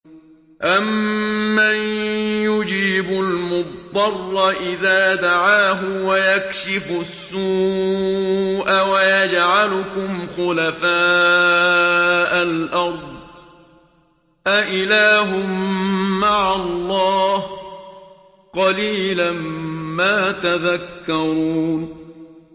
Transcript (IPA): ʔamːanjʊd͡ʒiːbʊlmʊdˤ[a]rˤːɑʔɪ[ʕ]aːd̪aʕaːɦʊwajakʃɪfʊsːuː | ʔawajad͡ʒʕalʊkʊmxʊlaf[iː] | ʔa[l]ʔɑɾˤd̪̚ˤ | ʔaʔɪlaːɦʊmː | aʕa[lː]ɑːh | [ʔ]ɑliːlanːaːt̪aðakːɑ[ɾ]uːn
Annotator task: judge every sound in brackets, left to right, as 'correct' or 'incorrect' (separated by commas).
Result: incorrect, incorrect, incorrect, correct, correct, incorrect, correct